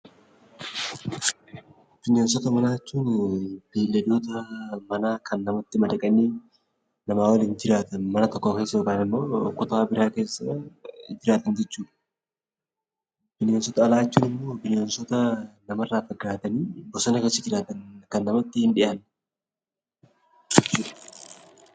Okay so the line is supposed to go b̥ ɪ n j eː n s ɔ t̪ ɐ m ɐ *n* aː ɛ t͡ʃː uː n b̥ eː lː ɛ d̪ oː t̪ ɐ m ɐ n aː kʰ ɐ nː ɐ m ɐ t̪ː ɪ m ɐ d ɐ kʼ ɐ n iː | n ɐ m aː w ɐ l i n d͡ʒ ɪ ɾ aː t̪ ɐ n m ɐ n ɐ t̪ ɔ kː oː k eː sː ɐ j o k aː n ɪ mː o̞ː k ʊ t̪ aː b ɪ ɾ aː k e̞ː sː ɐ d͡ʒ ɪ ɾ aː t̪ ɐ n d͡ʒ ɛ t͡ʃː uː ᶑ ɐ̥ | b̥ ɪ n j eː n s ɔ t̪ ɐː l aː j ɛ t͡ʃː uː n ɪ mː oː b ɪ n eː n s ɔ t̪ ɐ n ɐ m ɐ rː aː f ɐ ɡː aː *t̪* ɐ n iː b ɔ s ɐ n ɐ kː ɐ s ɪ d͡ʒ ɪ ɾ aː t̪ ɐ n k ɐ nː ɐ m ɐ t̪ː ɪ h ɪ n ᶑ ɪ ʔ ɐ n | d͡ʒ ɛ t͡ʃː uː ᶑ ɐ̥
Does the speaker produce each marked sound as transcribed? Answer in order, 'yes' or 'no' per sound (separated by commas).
yes, yes